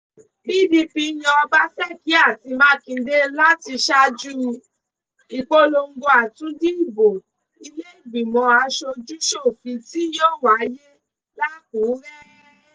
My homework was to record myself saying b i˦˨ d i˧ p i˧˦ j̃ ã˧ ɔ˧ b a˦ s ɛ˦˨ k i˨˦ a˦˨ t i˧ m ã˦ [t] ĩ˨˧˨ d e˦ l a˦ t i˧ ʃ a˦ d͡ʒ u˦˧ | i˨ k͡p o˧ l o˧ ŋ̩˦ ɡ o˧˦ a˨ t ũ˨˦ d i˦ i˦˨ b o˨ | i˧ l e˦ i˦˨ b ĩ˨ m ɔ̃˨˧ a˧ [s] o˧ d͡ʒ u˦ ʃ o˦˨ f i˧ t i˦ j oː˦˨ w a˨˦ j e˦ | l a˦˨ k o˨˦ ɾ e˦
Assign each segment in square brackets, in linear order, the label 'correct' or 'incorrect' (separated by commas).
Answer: incorrect, incorrect